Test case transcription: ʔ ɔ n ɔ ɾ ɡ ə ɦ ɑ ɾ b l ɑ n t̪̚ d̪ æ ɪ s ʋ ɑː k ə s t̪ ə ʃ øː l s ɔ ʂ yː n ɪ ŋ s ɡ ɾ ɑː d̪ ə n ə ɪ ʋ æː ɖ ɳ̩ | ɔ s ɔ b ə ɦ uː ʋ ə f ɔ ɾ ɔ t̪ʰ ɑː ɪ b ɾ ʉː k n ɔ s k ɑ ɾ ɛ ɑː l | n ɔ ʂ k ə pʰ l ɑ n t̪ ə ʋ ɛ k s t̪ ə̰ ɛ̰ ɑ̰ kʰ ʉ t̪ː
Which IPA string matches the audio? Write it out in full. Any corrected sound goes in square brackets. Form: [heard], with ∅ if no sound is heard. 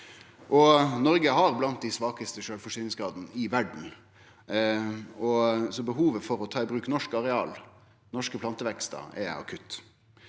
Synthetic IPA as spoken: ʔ ɔ n ɔ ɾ ɡ ə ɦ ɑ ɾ b l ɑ n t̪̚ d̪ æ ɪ s ʋ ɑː k ə s t̪ ə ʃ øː l [f] ɔ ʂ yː n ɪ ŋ s ɡ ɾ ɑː d̪ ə n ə ɪ ʋ [æ] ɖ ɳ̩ | ɔ s ɔ b ə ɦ uː ʋ ə f ɔ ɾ ɔ t̪ʰ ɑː ɪ b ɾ ʉː k n ɔ [ʂ] k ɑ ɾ ɛ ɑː l | n ɔ ʂ k ə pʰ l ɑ n t̪ ə ʋ ɛ k s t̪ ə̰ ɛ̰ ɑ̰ kʰ ʉ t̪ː